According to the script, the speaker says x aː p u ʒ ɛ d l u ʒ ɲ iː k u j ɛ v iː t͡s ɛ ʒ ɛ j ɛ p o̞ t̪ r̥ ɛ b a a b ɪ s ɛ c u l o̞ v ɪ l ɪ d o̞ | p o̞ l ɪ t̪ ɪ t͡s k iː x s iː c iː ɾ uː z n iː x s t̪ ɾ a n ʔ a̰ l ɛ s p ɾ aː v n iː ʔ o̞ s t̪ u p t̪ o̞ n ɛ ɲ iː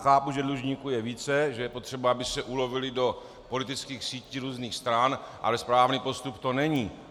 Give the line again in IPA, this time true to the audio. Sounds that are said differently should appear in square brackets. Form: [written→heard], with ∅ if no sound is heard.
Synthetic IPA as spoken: x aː p u ʒ ɛ d l u ʒ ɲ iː k u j ɛ v iː t͡s ɛ ʒ ɛ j ɛ p o̞ t̪ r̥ ɛ b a a b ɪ s ɛ [c→ʔ] u l o̞ v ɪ l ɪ d o̞ | p o̞ l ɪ t̪ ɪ t͡s k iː x s iː c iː ɾ uː z n iː x s t̪ ɾ a n ʔ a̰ l ɛ s p ɾ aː v n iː [ʔ→p] o̞ s t̪ u p t̪ o̞ n ɛ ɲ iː

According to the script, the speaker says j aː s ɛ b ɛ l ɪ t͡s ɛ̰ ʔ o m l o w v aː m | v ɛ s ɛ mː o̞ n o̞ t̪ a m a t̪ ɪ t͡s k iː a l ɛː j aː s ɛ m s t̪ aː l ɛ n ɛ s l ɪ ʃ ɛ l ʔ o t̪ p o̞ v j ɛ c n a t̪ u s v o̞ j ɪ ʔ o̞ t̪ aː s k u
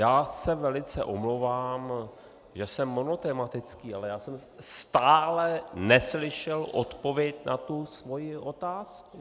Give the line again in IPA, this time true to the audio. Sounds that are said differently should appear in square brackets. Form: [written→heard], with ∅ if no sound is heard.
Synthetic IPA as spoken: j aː s ɛ [b→v] ɛ l ɪ t͡s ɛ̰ ʔ o m l o w v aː m | [v→ʒ] ɛ s ɛ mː o̞ n o̞ t̪ [a→ɛ] m a t̪ ɪ t͡s k iː a l [ɛː→ɛ] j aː s ɛ m s t̪ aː l ɛ n ɛ s l ɪ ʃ ɛ l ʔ o t̪ p o̞ v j ɛ c n a t̪ u s v o̞ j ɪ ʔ o̞ t̪ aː s k u

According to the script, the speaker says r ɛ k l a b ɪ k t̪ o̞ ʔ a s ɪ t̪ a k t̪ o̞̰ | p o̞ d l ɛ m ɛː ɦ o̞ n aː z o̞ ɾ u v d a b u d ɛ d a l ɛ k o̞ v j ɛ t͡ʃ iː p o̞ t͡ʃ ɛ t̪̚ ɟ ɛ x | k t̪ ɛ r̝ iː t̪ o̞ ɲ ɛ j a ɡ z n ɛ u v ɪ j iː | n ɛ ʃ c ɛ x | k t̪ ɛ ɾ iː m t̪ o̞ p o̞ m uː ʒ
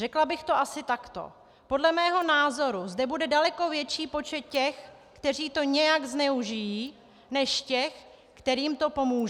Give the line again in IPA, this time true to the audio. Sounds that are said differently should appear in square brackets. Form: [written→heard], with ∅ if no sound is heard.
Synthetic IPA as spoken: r ɛ k l a b ɪ [k→x] t̪ o̞ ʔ a s ɪ t̪ a k t̪ o̞̰ | p o̞ d l ɛ m ɛː ɦ o̞ n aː z o̞ ɾ u [v→z] d [a→ɛ] b u d ɛ d a l ɛ k o̞ v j ɛ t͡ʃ iː p o̞ t͡ʃ ɛ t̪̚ [ɟ→c] ɛ x | k t̪ ɛ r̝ iː t̪ o̞ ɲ ɛ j a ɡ z n ɛ u [v→ʒ] ɪ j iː | n ɛ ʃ c ɛ x | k t̪ ɛ ɾ iː m t̪ o̞ p o̞ m uː ʒ

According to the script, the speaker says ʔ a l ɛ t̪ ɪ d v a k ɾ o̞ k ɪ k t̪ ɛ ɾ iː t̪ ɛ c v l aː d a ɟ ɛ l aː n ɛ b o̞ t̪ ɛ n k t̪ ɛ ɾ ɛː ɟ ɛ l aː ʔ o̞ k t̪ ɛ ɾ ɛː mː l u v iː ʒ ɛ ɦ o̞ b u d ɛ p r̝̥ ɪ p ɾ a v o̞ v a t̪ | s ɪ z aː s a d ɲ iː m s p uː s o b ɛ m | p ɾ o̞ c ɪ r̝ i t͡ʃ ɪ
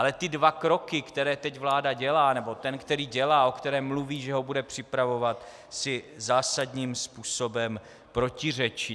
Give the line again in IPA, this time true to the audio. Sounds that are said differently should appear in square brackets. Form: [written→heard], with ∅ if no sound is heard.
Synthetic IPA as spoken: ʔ a l ɛ t̪ ɪ d v a k ɾ o̞ k ɪ k t̪ ɛ ɾ [iː→ɛː] t̪ ɛ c v l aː d a ɟ ɛ l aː n ɛ b o̞ t̪ ɛ n k t̪ ɛ ɾ [ɛː→iː] ɟ ɛ l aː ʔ o̞ k t̪ ɛ ɾ ɛː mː l u v iː ʒ ɛ ɦ o̞ b u d ɛ p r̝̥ ɪ p ɾ a v o̞ v a t̪ | s ɪ z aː s a d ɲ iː m s p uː s o b ɛ m | p ɾ o̞ c ɪ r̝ [i→ɛ] t͡ʃ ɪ

